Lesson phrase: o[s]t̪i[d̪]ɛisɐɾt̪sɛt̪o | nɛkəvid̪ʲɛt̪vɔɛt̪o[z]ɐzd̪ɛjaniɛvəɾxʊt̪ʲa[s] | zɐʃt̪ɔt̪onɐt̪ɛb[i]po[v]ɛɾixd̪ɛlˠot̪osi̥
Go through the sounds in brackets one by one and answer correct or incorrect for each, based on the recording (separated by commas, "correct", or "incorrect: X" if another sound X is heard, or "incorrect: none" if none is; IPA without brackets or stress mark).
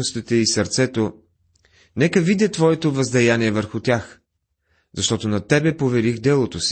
correct, incorrect: t̪, incorrect: v, incorrect: x, incorrect: ɛ, correct